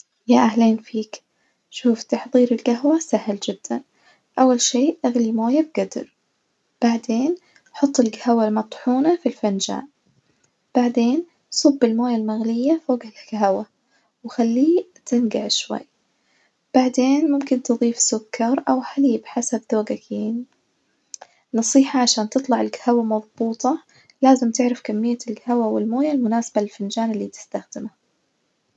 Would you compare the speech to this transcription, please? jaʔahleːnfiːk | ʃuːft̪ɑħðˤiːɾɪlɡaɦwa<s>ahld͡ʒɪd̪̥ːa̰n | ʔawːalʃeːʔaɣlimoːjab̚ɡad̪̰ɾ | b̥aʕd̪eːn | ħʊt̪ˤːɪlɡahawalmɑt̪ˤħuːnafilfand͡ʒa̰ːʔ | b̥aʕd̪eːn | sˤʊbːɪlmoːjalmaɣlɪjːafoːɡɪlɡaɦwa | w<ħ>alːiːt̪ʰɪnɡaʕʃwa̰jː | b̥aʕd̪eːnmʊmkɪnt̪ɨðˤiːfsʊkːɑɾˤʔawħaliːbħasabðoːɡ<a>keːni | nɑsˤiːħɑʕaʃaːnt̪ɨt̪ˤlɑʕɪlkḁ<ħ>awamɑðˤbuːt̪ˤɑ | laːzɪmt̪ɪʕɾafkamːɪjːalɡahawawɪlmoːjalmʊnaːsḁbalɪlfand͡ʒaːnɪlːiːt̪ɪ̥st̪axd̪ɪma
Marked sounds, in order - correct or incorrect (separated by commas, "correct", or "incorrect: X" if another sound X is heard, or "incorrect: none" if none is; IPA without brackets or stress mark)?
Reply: correct, incorrect: x, correct, incorrect: h